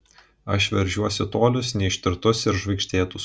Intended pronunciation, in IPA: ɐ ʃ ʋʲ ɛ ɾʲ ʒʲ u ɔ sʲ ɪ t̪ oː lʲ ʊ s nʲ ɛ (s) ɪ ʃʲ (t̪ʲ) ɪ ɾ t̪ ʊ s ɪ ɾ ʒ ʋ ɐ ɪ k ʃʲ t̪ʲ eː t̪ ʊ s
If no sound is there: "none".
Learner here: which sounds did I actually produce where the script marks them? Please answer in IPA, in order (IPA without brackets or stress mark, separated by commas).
none, t̪ʲ